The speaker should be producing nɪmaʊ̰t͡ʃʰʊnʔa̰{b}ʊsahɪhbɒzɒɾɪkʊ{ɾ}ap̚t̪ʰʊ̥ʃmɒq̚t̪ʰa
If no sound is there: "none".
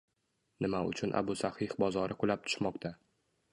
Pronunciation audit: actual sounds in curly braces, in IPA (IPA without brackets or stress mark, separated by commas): b, l